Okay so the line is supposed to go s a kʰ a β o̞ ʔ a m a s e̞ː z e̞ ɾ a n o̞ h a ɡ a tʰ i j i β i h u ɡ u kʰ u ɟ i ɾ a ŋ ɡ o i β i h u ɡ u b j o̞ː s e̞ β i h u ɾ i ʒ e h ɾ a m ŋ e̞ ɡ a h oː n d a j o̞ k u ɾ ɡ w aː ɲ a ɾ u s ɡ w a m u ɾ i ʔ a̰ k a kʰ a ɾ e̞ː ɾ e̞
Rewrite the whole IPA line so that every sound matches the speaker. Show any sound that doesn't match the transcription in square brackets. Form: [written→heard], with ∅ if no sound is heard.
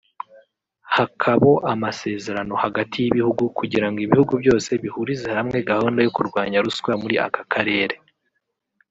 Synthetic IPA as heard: [s→h] a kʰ a β o̞ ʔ a m a s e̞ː z e̞ ɾ a n o̞ h a ɡ a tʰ i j i β i h u ɡ u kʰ u ɟ i ɾ a ŋ ɡ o i β i h u ɡ u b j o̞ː s e̞ β i h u ɾ i [ʒ→z] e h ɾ a m ŋ e̞ ɡ a h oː n d a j o̞ k u ɾ ɡ w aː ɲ a ɾ u s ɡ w a m u ɾ i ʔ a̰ k a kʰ a ɾ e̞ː ɾ e̞